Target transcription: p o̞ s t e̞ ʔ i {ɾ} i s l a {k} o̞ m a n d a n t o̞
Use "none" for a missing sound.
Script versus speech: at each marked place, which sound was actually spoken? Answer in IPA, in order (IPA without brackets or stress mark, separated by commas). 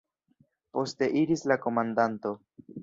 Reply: ɾ, k